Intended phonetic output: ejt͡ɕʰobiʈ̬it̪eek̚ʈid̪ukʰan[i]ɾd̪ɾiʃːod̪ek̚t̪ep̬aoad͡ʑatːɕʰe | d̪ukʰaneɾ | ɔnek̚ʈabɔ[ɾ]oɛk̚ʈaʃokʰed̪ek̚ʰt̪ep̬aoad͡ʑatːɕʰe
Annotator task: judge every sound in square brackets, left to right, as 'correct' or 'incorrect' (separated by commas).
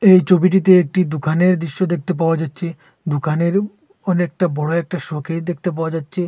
incorrect, incorrect